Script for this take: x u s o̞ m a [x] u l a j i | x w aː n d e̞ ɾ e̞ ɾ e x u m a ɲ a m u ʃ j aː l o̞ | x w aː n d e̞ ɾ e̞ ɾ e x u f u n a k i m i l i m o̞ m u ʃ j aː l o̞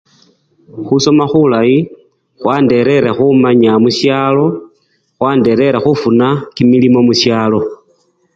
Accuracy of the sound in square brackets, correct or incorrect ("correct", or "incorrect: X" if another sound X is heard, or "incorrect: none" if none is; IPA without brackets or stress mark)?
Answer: correct